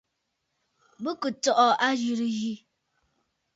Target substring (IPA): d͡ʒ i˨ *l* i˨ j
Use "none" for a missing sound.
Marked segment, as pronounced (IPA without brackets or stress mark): ɾ